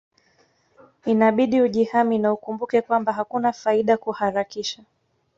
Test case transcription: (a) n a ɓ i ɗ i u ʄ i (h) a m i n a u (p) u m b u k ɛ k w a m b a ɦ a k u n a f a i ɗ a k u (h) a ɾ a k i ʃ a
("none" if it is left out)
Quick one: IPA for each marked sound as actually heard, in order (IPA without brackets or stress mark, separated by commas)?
i, h, k, h